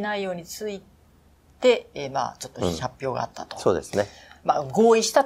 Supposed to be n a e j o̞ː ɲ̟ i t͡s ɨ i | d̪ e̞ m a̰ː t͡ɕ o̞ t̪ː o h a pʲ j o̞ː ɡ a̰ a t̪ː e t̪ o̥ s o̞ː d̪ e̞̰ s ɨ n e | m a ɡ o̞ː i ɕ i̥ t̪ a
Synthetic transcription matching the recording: n a i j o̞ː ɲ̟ i t͡s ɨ i | t̪ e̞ m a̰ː t͡ɕ o̞ t̪ː o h a pʲ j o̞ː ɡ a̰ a t̪ː a t̪ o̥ s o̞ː d̪ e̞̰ s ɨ n e | m a ɡ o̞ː i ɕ i̥ t̪ a